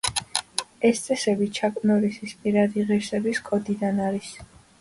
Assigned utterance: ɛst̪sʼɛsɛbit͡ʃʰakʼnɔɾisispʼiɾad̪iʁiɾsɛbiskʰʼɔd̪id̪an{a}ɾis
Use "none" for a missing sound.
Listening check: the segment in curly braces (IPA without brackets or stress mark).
a